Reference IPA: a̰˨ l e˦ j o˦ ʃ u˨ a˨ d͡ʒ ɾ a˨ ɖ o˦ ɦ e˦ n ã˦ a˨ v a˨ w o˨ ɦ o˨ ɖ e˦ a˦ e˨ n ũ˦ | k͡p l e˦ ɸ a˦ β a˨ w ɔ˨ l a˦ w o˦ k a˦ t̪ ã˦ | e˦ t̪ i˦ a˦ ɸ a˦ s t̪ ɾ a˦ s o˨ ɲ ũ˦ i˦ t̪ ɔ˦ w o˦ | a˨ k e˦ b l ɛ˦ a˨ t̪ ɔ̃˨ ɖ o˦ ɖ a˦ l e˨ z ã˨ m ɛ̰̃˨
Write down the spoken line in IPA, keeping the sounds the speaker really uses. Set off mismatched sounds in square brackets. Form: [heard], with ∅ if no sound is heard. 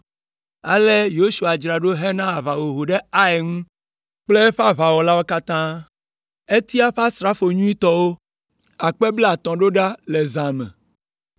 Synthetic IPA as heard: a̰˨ l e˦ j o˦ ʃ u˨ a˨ d͡ʒ ɾ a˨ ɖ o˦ ɦ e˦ n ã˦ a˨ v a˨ w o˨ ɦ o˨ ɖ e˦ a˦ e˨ [ŋ] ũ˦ | k͡p l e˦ ɸ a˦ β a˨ w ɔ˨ l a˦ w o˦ k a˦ t̪ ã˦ | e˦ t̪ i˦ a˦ ɸ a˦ s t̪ ɾ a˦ [f] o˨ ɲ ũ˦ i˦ t̪ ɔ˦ w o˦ | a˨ [k͡p] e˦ b l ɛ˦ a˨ t̪ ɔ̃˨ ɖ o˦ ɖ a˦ l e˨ z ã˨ m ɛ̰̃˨